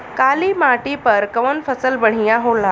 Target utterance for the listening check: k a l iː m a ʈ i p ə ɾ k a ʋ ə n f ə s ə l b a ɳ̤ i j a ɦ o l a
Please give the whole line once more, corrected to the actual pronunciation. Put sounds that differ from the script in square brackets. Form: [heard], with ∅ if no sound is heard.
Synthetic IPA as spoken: k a l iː m a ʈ i p ə ɾ k [ə] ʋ ə n f ə s ə l b [ə] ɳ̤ i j a ɦ o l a